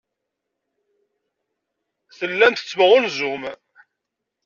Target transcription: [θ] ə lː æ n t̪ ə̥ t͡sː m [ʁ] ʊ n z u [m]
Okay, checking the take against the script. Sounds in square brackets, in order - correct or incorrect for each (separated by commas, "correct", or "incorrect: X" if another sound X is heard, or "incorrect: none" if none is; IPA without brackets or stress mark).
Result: correct, correct, correct